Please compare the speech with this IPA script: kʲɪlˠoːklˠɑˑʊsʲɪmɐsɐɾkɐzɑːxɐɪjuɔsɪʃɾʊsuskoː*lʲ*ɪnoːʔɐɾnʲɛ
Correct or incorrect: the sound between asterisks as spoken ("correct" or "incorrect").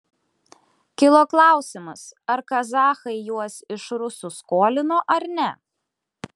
correct